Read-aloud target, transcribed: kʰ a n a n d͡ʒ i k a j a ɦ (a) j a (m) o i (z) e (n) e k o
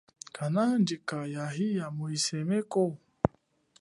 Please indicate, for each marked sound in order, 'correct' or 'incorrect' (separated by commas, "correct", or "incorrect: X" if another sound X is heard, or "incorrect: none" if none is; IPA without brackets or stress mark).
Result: incorrect: i, correct, incorrect: s, incorrect: m